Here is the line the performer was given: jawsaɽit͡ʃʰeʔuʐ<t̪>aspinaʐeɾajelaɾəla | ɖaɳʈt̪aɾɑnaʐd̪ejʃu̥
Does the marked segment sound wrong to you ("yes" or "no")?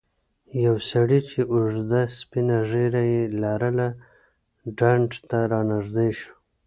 yes